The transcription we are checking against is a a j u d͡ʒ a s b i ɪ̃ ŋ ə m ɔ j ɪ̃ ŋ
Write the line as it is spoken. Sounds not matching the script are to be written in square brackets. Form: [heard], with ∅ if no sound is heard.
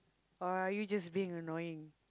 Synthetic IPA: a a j u d͡ʒ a s b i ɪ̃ ŋ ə [n] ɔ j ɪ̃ ŋ